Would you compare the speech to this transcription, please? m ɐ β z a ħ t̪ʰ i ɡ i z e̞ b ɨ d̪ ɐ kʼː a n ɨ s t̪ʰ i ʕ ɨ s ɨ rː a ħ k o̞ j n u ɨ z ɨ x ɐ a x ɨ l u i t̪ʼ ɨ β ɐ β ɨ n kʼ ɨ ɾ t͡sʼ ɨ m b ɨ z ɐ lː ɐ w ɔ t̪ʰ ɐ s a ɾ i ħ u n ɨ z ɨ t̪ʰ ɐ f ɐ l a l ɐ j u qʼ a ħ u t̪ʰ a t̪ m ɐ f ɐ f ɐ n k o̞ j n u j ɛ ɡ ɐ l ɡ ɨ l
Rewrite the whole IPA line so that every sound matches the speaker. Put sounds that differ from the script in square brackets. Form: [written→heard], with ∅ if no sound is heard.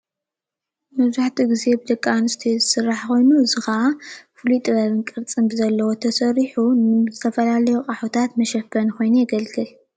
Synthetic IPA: m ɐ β z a ħ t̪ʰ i ɡ i z e̞ b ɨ d̪ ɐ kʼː a n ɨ s t̪ʰ i [ʕ→z] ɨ s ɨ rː a ħ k o̞ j n u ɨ z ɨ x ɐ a [x→f] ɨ l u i t̪ʼ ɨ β ɐ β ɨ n kʼ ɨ ɾ t͡sʼ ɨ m b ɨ z ɐ lː ɐ w [ɔ→o] t̪ʰ ɐ s [a→ɐ] ɾ i ħ u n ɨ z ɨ t̪ʰ ɐ f ɐ l a l ɐ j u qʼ a ħ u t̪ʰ a t̪ m ɐ [f→ʃ] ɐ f ɐ n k o̞ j n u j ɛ ɡ ɐ l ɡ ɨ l